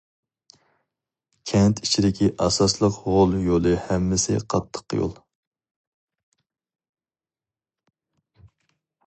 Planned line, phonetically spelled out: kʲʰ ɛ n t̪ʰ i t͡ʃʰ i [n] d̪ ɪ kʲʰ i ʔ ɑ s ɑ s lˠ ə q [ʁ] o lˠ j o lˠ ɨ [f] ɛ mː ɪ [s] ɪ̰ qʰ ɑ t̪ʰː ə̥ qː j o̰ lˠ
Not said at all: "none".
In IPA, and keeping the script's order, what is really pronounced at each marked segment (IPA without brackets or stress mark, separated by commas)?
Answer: none, ʁ, h, s